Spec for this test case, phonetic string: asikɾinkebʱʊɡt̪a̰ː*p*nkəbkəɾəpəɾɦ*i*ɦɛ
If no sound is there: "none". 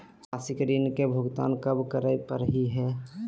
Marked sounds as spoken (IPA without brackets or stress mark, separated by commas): none, i